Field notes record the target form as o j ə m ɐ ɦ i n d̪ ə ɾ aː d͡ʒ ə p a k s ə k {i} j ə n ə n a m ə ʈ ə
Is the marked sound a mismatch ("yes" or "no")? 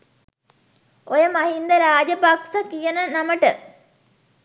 no